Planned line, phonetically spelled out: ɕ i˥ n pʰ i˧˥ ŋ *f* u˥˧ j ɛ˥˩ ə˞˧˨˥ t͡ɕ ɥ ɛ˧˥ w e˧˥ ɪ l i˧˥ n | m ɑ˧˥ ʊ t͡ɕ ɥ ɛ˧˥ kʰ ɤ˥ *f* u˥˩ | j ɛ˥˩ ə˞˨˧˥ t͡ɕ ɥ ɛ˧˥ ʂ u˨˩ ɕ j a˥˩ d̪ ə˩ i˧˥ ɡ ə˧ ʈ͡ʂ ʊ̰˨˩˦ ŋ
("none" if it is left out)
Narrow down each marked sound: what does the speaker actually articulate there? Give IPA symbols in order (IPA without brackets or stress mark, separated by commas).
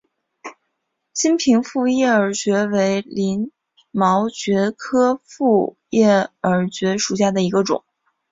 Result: f, f